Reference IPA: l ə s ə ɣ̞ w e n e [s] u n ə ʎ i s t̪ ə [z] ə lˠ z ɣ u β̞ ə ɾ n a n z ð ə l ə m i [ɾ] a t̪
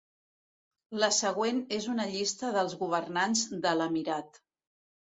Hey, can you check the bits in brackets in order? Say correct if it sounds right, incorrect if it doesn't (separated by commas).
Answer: incorrect, incorrect, correct